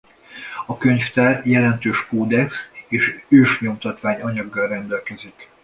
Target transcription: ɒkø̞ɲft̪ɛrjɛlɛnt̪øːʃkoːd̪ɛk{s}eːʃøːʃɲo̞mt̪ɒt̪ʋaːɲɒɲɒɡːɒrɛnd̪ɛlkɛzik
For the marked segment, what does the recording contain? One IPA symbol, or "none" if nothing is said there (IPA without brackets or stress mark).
s